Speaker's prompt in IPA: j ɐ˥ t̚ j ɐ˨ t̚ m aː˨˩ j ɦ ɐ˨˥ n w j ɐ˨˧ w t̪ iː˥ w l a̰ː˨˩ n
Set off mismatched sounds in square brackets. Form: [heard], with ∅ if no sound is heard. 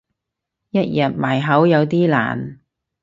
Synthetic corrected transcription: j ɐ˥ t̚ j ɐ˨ t̚ m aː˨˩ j ɦ ɐ˨˥ [∅] w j ɐ˨˧ w t̪ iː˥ [∅] l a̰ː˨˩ n